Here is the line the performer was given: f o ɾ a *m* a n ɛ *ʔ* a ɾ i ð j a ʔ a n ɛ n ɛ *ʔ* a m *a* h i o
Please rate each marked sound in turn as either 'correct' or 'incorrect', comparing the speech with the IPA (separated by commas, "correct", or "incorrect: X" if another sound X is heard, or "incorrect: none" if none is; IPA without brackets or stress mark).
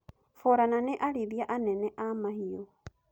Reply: incorrect: n, correct, correct, correct